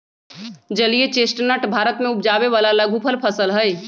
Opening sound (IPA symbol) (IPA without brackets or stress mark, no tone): d͡ʒ